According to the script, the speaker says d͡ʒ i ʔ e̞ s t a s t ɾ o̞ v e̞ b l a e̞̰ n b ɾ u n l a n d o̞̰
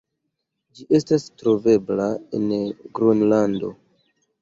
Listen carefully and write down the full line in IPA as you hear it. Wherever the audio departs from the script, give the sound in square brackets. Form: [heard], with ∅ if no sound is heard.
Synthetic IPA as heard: d͡ʒ i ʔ e̞ s t a s t ɾ o̞ v e̞ b l a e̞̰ n [ɡ] ɾ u n l a n d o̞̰